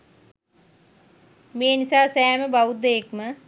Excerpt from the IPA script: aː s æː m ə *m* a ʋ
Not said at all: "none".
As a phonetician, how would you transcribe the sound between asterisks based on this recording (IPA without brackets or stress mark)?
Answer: b